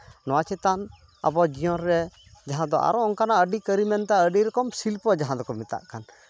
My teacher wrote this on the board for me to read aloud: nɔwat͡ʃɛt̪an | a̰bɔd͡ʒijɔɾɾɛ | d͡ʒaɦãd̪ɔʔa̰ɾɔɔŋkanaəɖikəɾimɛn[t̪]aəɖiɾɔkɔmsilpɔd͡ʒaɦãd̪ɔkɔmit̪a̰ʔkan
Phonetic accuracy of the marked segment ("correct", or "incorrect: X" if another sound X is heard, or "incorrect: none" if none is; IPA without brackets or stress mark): correct